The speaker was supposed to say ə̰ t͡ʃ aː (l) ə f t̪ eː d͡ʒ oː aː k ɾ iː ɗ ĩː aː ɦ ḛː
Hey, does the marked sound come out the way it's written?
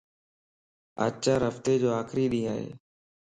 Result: no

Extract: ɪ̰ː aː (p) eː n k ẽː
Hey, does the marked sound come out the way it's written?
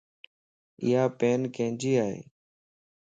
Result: yes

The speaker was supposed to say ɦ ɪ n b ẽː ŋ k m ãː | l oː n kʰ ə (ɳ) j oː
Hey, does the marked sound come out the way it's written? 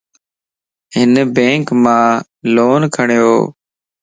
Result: yes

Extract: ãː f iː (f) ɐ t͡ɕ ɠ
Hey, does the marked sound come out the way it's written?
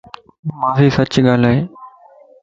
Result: no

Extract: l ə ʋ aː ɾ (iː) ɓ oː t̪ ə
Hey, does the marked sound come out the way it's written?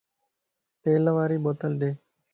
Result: yes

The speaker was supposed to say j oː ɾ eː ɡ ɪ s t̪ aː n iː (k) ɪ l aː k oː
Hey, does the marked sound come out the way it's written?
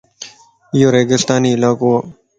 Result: no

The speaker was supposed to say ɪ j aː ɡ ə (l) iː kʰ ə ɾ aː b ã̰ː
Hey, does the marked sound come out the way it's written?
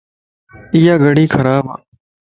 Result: no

